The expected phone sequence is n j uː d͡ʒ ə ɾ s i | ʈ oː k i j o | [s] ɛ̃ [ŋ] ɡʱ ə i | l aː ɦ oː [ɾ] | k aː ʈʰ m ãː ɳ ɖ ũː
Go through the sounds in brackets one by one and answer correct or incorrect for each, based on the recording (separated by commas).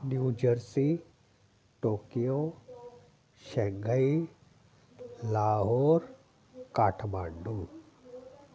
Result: incorrect, correct, correct